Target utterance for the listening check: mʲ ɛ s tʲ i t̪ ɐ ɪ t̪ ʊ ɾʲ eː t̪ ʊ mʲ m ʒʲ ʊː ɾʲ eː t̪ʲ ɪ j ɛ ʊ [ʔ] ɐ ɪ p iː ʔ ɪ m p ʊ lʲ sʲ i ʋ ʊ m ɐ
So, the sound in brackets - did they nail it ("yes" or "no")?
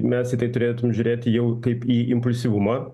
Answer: no